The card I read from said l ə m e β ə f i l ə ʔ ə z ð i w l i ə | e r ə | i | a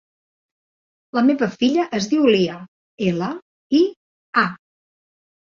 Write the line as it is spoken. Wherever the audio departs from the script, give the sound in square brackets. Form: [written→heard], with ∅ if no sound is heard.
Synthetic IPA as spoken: l ə m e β ə f i [l→ʎ] ə ʔ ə z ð i w l i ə | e [r→l] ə | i | a